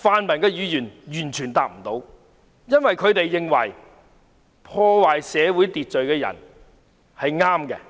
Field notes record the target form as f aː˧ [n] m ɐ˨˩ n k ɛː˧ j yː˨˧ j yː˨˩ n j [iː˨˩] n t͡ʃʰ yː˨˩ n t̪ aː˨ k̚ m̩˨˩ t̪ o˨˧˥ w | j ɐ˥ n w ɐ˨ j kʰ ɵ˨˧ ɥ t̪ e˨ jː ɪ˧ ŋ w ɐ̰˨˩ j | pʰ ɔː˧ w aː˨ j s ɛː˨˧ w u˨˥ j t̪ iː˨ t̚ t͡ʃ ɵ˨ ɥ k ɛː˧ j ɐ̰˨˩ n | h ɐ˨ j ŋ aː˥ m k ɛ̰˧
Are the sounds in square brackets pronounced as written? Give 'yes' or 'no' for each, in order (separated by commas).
yes, no